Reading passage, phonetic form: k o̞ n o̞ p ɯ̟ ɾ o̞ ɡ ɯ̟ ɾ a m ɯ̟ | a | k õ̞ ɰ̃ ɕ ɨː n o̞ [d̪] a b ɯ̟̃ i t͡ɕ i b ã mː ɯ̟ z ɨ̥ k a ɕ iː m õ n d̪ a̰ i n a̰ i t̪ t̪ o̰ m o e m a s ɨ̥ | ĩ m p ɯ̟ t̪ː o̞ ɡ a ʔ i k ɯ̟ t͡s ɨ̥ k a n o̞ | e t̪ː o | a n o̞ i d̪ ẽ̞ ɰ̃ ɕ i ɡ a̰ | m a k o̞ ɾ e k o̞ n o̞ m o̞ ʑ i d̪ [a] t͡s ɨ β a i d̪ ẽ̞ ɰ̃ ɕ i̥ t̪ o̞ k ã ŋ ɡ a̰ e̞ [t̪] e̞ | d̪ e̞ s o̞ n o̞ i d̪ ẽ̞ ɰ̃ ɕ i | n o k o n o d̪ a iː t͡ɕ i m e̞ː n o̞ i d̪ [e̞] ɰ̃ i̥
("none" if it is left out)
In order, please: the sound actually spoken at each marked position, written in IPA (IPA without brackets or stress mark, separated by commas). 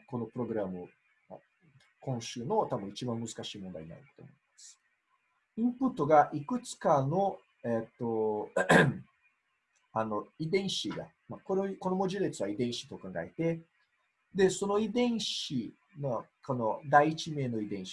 t̪, e, t̪, ẽ̞